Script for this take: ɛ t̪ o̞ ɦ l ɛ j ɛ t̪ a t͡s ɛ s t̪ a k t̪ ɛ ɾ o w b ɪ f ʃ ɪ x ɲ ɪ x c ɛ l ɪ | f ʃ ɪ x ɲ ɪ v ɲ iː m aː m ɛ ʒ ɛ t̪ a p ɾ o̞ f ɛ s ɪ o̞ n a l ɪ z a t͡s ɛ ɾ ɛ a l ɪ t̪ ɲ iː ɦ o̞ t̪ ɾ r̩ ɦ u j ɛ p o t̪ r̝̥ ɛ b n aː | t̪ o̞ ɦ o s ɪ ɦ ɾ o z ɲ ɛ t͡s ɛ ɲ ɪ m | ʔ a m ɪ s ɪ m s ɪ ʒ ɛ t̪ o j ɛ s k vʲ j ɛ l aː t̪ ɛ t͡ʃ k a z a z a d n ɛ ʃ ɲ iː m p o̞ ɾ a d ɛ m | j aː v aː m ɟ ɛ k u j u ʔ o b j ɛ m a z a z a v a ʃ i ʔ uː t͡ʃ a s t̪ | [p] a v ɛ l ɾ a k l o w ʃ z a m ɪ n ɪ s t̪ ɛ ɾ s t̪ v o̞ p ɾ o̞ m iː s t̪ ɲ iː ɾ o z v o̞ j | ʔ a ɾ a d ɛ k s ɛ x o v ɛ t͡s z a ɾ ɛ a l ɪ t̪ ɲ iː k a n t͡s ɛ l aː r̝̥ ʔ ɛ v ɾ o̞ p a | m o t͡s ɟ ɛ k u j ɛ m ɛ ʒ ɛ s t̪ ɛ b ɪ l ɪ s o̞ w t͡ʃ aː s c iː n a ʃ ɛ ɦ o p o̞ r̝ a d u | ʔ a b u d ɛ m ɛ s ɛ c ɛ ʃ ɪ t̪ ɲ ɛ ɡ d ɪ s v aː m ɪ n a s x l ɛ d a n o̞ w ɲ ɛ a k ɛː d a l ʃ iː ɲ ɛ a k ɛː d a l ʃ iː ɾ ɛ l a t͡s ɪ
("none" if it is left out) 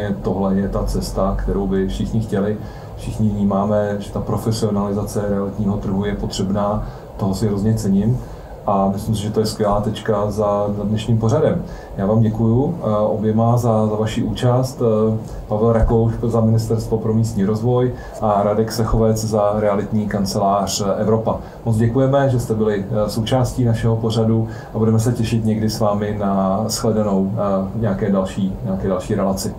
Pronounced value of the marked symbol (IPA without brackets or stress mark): p